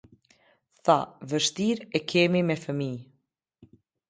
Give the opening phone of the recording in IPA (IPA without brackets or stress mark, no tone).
θ